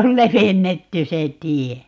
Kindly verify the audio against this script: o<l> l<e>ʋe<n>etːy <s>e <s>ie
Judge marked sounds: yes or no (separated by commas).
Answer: yes, yes, no, yes, no